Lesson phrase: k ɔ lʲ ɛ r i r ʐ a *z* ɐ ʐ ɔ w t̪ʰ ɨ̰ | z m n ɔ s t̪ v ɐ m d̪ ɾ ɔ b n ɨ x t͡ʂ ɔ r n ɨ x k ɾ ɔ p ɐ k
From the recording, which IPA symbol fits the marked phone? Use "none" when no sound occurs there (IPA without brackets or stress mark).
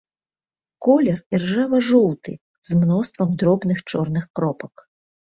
v